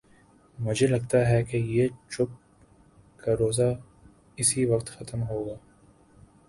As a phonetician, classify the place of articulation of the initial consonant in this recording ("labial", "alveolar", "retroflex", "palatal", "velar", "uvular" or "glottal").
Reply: labial